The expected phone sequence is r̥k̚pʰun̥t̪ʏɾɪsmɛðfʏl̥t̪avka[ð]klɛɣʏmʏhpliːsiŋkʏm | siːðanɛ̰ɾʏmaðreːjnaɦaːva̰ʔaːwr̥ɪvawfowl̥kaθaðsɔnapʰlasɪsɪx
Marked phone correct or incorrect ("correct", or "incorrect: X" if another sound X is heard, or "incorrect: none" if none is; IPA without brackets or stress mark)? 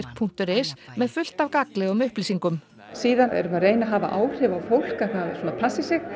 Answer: incorrect: none